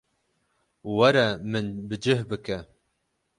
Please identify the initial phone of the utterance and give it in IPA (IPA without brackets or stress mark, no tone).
w